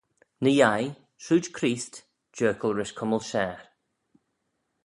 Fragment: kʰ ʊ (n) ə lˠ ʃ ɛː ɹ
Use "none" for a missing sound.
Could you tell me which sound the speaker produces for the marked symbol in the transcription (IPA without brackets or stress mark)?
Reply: m